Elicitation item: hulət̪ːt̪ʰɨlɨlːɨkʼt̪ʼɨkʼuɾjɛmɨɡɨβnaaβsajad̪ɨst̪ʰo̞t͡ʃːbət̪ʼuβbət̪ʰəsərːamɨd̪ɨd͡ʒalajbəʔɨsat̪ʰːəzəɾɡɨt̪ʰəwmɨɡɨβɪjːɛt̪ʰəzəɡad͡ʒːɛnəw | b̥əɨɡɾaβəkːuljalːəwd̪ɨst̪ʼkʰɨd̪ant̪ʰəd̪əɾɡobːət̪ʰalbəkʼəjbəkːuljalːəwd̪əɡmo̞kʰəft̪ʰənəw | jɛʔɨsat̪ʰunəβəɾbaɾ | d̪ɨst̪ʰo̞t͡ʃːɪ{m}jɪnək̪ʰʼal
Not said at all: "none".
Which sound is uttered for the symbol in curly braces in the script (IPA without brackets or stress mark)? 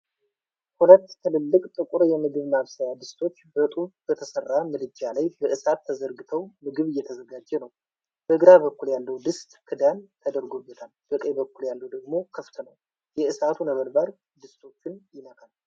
n